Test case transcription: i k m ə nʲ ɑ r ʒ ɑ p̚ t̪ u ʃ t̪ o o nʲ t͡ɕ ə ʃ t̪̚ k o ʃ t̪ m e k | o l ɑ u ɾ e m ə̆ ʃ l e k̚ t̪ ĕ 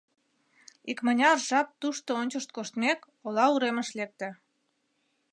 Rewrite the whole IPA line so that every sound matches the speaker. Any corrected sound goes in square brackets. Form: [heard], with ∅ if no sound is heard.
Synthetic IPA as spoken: i k m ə nʲ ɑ r ʒ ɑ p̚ t̪ u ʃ t̪ o o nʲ t͡ɕ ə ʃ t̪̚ k o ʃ t̪ m e k | o l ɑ u ɾ e m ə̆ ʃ l e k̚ t̪ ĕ